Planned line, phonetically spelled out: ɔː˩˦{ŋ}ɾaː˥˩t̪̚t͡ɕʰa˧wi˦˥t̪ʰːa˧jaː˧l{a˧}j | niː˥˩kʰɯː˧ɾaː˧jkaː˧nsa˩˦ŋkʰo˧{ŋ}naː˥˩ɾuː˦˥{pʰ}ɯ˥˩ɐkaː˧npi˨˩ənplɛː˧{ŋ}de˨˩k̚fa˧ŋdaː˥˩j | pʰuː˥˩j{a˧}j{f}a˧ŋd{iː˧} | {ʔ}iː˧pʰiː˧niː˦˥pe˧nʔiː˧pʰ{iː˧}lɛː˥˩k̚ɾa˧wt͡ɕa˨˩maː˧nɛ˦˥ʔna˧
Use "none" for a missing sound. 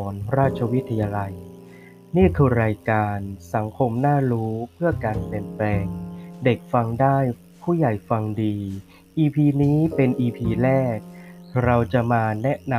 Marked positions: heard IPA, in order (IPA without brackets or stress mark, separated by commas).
n, a˧, m, pʰ, ŋ, a˨˩, f, iː˧, ʔ, iː˧